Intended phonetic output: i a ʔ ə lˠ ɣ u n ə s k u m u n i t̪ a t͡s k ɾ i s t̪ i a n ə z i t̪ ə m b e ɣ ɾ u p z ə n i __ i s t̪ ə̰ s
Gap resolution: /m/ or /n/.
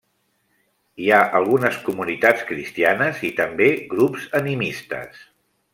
m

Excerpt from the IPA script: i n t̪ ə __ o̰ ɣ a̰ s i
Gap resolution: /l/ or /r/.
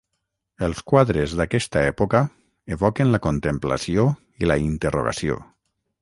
r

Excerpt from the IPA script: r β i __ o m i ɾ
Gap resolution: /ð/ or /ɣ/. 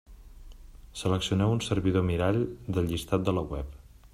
ð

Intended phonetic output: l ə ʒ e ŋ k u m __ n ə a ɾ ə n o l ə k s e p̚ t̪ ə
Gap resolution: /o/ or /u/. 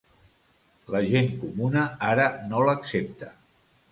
u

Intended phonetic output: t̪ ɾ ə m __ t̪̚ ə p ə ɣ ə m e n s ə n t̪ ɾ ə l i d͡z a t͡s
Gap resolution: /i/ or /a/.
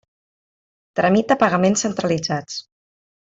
i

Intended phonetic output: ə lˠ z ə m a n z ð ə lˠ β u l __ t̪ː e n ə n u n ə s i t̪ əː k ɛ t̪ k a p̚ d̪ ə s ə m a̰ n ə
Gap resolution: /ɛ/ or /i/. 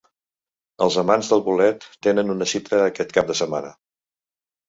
ɛ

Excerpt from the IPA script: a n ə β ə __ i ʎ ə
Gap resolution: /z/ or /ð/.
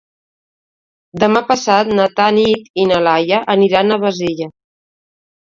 z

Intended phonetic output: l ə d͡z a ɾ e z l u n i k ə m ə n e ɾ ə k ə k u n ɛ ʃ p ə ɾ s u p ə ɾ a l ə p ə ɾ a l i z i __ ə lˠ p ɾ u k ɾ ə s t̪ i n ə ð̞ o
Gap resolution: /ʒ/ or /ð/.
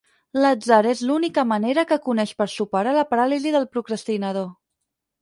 ð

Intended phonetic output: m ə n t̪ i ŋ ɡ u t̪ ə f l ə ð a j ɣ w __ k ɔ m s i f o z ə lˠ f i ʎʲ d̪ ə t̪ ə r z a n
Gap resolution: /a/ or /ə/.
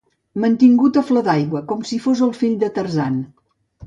ə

